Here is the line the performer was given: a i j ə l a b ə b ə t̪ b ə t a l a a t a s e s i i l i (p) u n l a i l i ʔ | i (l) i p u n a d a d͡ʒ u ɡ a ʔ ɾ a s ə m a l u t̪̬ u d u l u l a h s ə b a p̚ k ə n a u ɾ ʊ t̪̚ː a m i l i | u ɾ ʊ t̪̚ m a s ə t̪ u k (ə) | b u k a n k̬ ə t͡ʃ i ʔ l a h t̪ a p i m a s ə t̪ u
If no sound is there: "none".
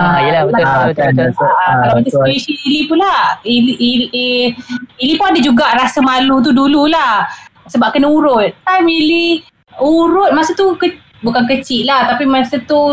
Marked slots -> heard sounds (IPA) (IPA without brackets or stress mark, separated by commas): p, l, ə